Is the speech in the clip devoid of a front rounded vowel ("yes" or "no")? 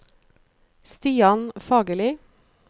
yes